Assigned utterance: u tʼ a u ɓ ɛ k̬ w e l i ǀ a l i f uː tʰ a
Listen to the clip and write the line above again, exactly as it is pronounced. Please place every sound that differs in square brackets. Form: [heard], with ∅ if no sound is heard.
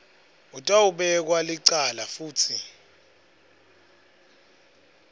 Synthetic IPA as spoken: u tʼ a u ɓ ɛ k̬ w [a] l i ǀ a l [a] f uː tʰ [i]